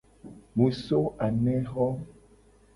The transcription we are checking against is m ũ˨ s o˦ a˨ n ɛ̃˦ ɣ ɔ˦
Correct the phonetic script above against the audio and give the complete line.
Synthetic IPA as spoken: m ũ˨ s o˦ a˨ n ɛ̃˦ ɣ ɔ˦